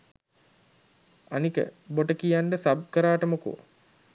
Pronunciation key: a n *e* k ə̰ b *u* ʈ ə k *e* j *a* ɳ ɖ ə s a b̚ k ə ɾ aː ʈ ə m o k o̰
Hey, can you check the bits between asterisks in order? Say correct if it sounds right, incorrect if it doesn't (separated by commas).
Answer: incorrect, incorrect, incorrect, correct